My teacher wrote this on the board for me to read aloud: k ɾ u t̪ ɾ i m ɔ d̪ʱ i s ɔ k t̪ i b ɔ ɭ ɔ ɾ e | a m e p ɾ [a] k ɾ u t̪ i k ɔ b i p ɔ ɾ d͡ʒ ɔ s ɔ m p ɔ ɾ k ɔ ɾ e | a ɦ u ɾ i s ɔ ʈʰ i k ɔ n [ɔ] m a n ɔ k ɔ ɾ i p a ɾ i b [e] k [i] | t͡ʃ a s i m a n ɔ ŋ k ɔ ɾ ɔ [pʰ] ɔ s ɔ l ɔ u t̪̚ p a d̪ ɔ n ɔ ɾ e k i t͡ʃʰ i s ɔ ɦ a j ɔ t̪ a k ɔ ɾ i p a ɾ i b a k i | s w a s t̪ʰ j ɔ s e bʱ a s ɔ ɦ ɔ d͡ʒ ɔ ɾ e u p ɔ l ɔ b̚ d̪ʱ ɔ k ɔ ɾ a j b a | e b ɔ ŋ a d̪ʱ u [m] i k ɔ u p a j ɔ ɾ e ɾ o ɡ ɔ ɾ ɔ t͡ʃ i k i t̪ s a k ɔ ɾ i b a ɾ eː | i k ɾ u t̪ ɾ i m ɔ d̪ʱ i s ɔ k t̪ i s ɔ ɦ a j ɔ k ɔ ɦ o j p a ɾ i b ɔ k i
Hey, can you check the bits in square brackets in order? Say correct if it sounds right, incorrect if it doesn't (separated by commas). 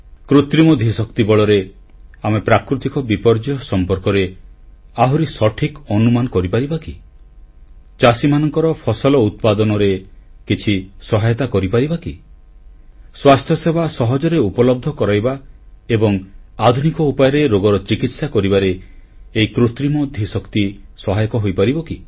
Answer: correct, incorrect, incorrect, correct, correct, incorrect